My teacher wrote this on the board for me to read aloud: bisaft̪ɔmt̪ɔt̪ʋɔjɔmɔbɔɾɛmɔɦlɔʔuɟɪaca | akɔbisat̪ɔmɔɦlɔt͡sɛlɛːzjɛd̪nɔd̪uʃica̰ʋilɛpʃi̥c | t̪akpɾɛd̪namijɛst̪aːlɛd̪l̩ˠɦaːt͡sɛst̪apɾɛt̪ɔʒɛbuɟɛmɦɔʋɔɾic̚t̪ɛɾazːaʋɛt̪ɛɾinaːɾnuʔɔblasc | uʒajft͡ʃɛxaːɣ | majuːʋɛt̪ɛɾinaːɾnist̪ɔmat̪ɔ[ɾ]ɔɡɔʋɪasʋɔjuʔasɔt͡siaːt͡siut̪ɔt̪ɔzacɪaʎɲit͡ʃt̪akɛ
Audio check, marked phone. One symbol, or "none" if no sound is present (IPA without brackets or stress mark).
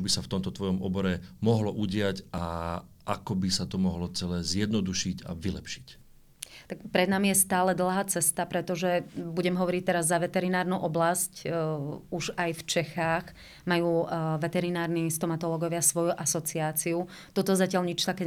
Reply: l